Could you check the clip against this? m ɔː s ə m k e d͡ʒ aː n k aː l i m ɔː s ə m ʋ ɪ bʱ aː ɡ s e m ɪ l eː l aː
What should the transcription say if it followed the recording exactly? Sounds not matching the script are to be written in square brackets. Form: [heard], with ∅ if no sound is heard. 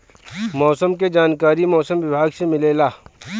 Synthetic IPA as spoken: m ɔː s ə m k e d͡ʒ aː n k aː [ɾ] i m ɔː s ə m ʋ ɪ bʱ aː ɡ s e m ɪ l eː l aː